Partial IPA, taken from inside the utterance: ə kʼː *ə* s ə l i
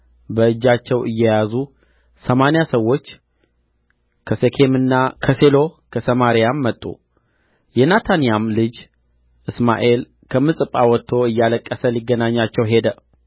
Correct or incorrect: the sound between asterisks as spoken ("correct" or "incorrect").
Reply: correct